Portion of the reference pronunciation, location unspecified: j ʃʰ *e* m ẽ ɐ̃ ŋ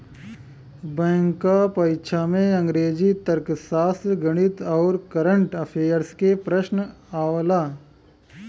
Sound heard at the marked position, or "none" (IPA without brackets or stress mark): a